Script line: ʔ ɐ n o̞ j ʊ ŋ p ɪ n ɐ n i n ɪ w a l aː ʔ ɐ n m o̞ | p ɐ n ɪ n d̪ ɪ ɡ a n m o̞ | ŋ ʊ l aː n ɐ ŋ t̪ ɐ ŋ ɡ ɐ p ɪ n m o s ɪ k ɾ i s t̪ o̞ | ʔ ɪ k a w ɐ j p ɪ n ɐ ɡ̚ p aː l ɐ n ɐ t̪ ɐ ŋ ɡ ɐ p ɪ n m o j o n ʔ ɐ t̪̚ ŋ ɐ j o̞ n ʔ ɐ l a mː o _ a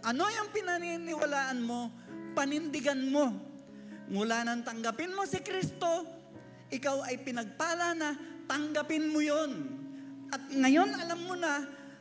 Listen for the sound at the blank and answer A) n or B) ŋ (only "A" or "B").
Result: A